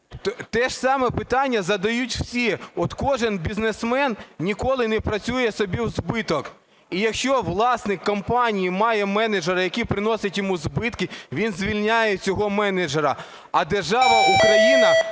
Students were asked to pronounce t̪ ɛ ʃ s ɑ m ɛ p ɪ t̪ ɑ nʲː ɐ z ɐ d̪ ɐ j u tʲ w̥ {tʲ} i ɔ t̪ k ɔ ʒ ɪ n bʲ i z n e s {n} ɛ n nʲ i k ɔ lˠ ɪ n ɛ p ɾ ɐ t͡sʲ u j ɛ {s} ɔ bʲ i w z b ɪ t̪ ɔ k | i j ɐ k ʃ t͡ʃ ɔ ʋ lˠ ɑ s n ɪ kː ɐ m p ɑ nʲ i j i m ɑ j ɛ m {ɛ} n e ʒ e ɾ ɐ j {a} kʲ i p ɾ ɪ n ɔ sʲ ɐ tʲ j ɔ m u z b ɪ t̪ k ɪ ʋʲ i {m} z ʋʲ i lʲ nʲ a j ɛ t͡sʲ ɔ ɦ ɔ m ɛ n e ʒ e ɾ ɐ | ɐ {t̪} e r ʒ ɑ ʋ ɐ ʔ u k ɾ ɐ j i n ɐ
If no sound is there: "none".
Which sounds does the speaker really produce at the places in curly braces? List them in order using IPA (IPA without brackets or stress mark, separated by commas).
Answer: sʲ, m, s, ɛ, ɐ, n, d̪